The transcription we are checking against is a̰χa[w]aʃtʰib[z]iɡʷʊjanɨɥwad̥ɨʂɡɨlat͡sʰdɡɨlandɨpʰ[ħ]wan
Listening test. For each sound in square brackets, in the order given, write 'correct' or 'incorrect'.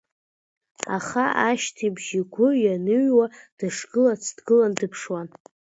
incorrect: none, incorrect: ʒ, incorrect: ʂ

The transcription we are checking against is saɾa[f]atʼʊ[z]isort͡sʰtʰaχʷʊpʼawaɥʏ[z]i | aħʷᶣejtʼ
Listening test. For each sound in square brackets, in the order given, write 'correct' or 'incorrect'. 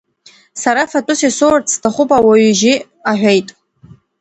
correct, incorrect: s, incorrect: ʒ

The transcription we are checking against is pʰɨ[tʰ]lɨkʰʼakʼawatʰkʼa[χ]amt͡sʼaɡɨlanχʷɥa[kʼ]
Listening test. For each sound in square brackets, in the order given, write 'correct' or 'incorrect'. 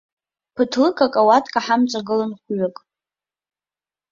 correct, incorrect: ħ, correct

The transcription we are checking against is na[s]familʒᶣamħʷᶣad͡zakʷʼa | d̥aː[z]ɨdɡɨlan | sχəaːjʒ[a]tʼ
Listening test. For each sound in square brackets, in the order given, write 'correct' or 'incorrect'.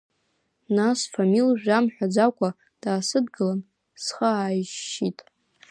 correct, incorrect: s, incorrect: i

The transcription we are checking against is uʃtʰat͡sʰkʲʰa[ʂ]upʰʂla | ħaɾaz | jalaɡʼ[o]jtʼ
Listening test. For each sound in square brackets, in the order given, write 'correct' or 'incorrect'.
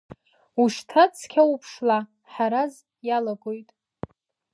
incorrect: none, correct

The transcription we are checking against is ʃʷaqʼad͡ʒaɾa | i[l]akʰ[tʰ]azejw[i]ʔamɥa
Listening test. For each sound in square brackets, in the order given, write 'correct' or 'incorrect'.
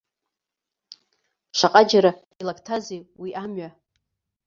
correct, correct, correct

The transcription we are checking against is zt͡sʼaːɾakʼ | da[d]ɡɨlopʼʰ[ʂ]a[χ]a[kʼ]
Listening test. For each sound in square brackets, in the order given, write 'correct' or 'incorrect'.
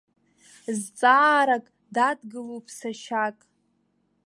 correct, incorrect: s, incorrect: ʃ, correct

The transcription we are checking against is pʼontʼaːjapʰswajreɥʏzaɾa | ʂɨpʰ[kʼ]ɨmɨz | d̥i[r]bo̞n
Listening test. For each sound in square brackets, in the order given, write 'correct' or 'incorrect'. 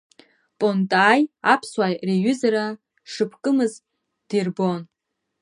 correct, correct

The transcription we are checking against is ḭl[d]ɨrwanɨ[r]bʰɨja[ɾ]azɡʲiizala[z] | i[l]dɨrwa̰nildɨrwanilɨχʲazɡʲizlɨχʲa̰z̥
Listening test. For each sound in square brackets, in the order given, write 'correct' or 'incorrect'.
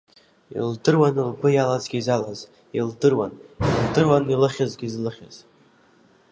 correct, incorrect: l, incorrect: l, correct, correct

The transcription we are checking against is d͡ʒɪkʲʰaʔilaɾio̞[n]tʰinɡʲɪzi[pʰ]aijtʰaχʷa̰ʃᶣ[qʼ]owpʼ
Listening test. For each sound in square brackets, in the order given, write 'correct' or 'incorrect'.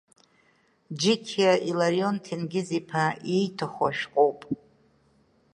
correct, correct, correct

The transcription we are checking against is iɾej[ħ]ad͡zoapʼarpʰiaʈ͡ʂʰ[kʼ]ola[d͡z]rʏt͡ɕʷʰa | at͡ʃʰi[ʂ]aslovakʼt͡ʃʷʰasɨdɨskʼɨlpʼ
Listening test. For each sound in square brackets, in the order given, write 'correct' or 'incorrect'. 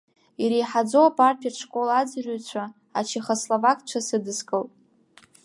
correct, correct, correct, incorrect: χ

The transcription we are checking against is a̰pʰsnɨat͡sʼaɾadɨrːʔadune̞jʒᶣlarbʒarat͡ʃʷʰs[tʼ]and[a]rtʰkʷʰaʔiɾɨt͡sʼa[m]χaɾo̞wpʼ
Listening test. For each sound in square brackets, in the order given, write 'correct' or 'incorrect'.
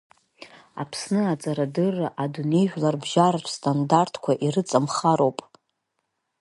correct, correct, correct

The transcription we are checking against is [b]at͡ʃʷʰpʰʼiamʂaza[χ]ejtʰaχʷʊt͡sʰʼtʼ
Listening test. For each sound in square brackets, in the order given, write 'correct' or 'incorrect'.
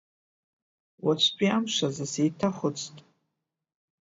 incorrect: w, incorrect: s

